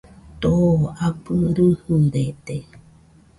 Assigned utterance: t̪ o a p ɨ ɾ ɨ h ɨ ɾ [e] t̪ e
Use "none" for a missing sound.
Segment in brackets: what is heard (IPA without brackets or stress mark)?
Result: e